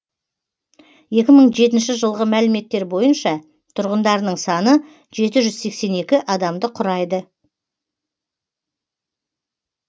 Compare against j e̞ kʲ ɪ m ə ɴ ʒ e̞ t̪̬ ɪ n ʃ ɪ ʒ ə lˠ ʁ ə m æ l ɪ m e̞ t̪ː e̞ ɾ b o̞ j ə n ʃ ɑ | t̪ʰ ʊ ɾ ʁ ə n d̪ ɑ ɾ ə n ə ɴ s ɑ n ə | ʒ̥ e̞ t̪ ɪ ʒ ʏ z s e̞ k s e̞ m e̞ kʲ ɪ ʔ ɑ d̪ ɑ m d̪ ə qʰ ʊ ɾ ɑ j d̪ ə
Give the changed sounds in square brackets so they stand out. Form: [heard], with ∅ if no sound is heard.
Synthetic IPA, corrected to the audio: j e̞ kʲ ɪ m ə ɴ ʒ e̞ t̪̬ ɪ n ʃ ɪ ʒ ə lˠ ʁ ə m æ l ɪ m e̞ t̪ː e̞ ɾ b o̞ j ə n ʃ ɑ | t̪ʰ ʊ ɾ ʁ ə n d̪ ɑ ɾ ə n ə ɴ s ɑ n ə | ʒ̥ e̞ t̪ ɪ ʒ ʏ z s e̞ k s e̞ [n] e̞ kʲ ɪ ʔ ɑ d̪ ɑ m d̪ ə qʰ ʊ ɾ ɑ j d̪ ə